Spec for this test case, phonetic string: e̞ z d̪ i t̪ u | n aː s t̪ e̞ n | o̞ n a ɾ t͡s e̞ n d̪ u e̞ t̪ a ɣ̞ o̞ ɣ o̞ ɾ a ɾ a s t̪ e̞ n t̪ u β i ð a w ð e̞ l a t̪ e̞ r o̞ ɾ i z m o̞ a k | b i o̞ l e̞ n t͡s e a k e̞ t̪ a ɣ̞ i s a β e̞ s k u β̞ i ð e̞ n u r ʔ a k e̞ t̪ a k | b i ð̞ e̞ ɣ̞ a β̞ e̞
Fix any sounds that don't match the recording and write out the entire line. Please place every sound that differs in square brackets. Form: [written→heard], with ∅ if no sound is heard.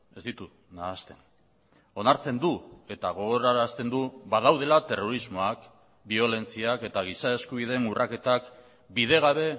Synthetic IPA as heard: e̞ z d̪ i t̪ u | n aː s t̪ e̞ n | o̞ n a ɾ t͡s e̞ n d̪ u e̞ t̪ a ɣ̞ o̞ ɣ o̞ ɾ a ɾ a s t̪ e̞ n [t̪→d̪] u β [i→a] ð a w ð e̞ l a t̪ e̞ r o̞ ɾ i z m o̞ a k | b i o̞ l e̞ n t͡s [e→i] a k e̞ t̪ a ɣ̞ i s a [β→∅] e̞ s k u β̞ i ð e̞ n u r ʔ a k e̞ t̪ a k | b i ð̞ e̞ ɣ̞ a β̞ e̞